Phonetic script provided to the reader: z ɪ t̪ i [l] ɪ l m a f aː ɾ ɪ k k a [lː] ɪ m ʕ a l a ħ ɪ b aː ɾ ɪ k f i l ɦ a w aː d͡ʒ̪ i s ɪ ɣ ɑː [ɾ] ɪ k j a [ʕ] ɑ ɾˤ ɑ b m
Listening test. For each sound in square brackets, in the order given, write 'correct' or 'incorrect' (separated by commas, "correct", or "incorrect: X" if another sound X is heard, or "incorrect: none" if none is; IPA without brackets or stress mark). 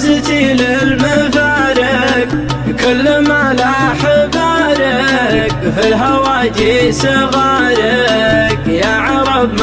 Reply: correct, correct, correct, correct